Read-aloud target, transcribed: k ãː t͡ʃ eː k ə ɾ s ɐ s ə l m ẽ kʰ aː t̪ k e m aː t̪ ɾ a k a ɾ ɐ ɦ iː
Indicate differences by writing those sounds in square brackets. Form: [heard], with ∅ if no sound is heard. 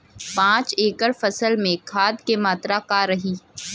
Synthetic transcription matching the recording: [p] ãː t͡ʃ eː k ə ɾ [f] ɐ s ə l m ẽ kʰ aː [d̪] k e m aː t̪ ɾ a k a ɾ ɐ ɦ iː